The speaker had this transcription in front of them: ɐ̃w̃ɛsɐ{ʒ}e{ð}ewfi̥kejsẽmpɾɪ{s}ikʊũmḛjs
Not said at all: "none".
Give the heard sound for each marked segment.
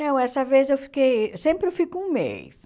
v, z, f

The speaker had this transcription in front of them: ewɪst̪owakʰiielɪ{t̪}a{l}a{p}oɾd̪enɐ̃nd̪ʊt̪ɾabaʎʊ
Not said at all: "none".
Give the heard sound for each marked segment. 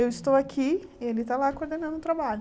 t̪, l, k

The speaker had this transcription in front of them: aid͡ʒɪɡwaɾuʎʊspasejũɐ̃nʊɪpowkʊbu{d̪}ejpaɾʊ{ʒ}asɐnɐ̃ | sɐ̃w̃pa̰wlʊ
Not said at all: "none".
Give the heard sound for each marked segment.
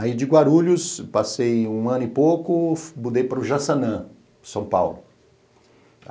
d̪, ʒ

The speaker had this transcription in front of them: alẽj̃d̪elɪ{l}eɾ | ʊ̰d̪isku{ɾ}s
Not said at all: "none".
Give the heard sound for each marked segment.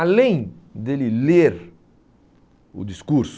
l, ɾ

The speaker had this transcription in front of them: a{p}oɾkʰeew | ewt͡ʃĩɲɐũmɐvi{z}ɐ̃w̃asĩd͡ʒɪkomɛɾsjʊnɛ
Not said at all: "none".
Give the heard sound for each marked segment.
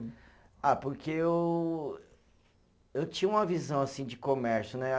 p, z

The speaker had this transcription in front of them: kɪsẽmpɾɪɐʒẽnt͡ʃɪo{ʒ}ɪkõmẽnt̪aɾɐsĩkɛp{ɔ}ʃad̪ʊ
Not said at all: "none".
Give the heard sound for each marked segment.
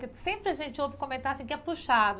v, u

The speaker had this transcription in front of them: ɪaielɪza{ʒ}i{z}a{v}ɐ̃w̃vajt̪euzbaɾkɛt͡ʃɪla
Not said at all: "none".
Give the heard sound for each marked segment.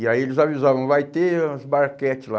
v, z, v

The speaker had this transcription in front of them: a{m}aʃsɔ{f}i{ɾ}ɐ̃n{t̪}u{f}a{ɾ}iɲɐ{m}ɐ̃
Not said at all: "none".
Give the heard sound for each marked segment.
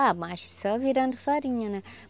m, v, ɾ, d̪, f, ɾ, n

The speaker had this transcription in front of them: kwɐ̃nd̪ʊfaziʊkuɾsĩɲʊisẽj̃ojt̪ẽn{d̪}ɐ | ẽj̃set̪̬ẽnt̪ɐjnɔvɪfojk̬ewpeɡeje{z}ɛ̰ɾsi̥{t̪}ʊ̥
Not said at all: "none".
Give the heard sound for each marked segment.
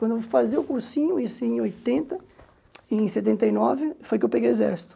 t̪, z, t̪

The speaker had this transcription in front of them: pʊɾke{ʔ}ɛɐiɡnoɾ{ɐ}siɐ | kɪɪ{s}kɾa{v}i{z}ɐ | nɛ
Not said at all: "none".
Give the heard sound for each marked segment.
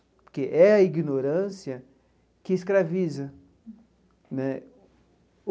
ʔ, ɐ̃, s, v, z

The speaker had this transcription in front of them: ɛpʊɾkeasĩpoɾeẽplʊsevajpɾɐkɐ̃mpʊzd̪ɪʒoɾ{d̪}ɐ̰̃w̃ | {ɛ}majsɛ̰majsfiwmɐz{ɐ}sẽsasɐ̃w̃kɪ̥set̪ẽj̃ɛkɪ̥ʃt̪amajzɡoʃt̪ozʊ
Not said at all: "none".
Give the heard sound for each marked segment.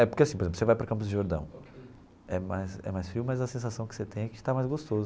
d̪, ɛ, ɐ

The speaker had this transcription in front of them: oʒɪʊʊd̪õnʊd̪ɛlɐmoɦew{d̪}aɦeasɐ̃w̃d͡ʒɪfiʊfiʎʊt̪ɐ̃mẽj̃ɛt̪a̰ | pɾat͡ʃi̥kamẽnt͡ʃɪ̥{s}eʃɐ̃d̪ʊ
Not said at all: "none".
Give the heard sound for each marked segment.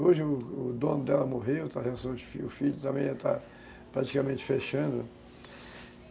t̪, f

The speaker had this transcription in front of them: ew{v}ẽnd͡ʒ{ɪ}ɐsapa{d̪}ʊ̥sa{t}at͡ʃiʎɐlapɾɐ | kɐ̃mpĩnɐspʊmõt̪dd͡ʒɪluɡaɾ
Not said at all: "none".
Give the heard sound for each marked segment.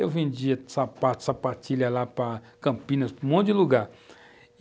v, i, t̪, p

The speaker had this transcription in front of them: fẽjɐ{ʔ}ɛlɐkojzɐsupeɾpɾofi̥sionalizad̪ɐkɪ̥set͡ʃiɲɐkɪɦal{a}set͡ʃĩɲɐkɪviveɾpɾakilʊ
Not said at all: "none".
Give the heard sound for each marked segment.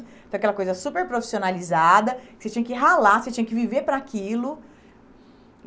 k, a

